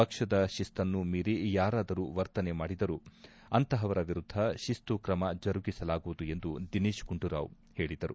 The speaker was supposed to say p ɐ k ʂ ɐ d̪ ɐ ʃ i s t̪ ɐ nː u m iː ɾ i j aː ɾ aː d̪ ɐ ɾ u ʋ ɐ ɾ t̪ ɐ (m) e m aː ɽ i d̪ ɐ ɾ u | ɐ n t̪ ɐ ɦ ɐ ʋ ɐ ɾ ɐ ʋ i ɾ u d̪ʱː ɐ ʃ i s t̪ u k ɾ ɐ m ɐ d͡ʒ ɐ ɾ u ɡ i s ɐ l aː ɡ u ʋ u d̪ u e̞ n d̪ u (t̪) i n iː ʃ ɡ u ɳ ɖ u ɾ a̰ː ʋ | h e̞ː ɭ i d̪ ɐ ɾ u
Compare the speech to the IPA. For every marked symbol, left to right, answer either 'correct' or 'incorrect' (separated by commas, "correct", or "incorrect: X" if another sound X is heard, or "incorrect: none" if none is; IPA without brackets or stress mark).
incorrect: n, incorrect: d̪